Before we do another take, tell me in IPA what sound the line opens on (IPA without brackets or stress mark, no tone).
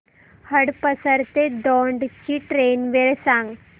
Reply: h